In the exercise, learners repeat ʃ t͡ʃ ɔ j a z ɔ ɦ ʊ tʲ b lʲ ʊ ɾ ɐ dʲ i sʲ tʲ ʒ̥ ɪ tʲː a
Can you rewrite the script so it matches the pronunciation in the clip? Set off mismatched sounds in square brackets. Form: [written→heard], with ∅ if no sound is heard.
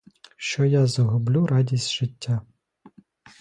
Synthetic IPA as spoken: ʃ t͡ʃ ɔ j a z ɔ ɦ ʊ [tʲ→∅] b lʲ [ʊ→u] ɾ [ɐ→ɑ] dʲ i sʲ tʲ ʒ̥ ɪ tʲː a